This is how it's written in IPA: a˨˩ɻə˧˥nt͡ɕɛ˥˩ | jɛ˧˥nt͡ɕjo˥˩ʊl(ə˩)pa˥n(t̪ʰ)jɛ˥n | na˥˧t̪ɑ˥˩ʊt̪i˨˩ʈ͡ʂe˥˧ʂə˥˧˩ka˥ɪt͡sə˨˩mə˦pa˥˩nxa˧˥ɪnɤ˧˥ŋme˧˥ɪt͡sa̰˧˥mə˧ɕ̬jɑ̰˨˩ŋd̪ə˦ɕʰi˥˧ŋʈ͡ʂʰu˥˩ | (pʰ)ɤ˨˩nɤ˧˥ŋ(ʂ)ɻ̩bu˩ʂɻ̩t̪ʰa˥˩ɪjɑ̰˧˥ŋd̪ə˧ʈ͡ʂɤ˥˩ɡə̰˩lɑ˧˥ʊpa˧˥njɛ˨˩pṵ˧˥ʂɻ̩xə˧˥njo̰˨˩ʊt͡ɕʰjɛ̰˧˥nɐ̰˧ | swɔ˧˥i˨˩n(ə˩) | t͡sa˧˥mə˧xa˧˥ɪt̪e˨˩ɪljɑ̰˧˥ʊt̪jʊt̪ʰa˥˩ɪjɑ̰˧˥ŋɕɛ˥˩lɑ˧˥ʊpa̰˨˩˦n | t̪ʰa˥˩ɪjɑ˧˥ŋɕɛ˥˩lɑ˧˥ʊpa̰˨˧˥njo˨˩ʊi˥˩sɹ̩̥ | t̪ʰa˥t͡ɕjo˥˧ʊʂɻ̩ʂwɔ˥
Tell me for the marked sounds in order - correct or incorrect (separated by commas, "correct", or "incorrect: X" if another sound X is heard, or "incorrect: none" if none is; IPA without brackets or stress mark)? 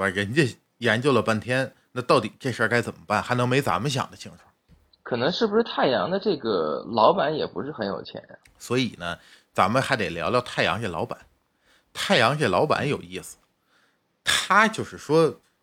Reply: correct, correct, incorrect: kʰ, correct, incorrect: ə˦